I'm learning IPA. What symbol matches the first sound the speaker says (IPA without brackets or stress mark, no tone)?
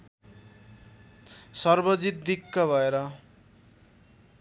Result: s